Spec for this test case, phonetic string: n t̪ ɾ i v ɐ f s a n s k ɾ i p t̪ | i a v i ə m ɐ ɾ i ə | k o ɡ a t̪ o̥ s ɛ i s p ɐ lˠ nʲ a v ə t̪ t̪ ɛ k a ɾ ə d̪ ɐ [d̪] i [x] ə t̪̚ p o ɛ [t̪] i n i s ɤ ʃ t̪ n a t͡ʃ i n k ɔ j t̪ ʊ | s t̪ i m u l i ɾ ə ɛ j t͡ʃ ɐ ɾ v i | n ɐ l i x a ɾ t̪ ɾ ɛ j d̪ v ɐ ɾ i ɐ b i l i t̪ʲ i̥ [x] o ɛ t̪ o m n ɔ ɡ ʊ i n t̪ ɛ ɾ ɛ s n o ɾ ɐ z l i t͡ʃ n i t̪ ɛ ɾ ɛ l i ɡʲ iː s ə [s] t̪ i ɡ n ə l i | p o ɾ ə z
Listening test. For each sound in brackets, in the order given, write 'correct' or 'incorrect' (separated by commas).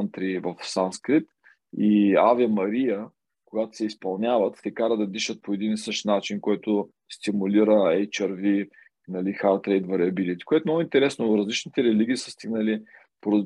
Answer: correct, incorrect, incorrect, incorrect, correct